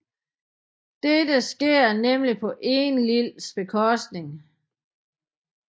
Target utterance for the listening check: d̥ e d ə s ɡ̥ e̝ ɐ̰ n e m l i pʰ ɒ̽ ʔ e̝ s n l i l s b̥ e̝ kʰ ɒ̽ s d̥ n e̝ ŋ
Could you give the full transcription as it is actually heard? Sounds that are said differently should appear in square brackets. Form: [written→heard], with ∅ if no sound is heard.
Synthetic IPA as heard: d̥ e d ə s ɡ̥ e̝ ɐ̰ n e m l i pʰ ɒ̽ ʔ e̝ [s→∅] n l i l s b̥ e̝ kʰ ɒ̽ s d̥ n e̝ ŋ